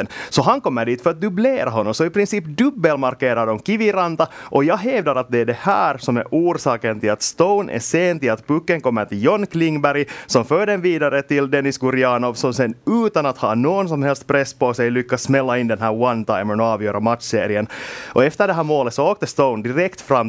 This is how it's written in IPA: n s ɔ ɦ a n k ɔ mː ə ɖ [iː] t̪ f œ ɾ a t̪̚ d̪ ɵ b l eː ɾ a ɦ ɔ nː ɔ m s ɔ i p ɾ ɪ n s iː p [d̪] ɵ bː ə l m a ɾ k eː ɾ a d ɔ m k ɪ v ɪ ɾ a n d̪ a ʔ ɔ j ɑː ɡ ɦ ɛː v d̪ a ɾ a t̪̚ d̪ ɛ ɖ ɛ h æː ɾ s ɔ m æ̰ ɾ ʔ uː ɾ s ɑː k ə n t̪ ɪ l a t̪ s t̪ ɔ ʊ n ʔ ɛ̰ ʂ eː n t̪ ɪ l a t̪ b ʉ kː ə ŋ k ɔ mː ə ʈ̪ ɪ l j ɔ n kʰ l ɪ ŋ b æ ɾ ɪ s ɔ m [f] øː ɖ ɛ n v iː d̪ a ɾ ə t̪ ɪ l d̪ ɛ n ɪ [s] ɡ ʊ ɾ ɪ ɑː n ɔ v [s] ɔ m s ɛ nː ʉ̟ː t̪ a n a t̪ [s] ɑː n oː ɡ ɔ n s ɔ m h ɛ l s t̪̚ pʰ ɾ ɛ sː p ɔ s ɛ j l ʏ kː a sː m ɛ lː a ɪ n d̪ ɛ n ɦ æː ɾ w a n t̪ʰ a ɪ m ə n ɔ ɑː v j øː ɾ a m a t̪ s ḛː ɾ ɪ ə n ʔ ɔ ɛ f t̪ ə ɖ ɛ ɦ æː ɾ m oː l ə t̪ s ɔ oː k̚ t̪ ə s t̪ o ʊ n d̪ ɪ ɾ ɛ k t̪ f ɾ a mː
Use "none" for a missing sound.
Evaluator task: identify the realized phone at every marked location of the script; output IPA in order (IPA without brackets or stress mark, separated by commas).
iː, d̪, f, s, s, h